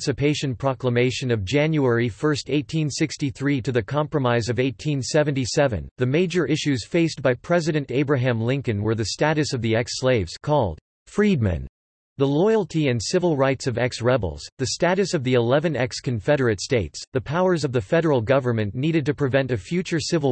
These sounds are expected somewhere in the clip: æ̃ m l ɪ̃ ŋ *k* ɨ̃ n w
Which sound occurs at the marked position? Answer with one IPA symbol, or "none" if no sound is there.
k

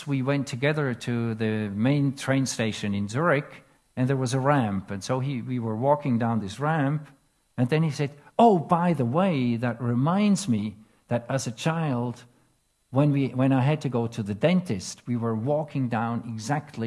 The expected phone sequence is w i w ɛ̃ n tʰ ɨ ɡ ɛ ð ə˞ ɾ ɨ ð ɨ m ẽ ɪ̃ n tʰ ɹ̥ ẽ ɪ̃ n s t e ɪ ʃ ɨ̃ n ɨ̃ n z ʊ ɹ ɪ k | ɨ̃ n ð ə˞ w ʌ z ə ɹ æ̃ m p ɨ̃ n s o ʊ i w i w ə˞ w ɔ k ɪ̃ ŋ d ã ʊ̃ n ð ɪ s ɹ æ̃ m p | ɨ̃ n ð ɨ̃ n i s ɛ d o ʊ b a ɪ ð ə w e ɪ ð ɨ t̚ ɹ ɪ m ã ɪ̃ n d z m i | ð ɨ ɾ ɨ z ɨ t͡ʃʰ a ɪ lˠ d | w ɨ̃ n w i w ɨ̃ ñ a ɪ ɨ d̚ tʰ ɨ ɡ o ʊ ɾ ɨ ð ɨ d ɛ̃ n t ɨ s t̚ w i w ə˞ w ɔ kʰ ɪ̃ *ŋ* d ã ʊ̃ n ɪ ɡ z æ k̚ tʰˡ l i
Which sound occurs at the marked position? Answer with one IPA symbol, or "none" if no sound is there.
ŋ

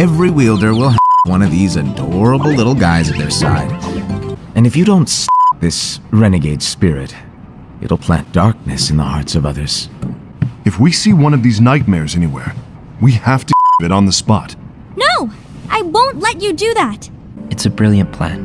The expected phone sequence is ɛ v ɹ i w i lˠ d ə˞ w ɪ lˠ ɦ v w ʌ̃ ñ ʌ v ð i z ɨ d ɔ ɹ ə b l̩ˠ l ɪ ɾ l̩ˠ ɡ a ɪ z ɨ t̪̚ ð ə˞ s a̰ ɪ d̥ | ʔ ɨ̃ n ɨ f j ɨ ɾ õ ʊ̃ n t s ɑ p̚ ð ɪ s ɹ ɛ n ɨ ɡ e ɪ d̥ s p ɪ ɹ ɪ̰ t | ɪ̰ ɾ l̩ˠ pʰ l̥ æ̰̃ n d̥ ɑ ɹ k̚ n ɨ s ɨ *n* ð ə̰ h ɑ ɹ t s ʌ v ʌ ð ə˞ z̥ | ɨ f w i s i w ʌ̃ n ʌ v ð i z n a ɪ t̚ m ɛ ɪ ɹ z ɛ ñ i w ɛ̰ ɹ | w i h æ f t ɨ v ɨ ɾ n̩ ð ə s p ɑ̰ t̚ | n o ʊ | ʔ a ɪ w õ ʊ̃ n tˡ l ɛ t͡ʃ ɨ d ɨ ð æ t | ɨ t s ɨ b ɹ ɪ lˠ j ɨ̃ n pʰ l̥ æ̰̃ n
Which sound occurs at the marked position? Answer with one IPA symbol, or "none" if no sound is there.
n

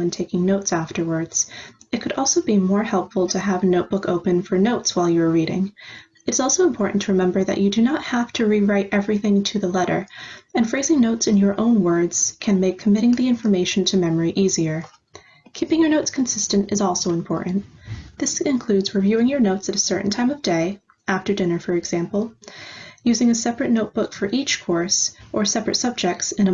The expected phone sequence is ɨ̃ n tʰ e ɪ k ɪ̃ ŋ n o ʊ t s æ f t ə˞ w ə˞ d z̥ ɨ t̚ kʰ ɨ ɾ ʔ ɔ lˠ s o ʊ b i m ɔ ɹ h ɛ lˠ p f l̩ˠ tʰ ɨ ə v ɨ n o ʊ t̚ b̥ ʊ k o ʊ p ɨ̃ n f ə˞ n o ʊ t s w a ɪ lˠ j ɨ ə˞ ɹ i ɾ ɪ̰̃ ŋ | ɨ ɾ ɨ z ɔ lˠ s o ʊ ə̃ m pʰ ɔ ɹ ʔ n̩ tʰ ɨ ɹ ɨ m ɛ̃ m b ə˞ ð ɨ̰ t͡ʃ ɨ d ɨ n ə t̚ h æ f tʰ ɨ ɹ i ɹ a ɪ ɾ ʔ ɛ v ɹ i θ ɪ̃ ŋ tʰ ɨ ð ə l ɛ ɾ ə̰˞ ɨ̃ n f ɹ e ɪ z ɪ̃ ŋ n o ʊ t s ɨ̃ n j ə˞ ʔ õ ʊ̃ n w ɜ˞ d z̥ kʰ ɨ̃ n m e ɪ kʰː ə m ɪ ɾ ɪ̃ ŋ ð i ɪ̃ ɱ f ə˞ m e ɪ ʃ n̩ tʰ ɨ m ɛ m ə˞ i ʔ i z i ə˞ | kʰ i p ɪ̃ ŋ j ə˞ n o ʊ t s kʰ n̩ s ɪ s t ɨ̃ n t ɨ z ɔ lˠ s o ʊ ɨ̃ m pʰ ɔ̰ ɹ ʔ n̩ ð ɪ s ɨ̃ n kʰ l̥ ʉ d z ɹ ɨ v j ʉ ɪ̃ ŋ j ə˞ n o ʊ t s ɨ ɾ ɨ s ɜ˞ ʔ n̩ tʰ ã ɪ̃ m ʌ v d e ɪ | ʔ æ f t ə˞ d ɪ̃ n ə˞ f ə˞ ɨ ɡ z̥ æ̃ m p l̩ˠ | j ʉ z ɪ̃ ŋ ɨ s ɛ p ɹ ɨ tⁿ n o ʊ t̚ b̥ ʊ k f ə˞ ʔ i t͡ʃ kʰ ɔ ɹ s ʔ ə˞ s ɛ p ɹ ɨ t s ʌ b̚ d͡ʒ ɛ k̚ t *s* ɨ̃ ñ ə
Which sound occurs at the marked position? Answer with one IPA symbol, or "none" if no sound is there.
s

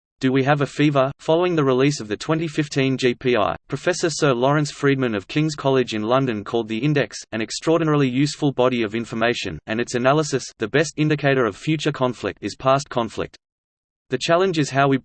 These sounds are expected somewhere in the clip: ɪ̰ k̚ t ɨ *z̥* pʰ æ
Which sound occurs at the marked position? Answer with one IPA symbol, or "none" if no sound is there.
z̥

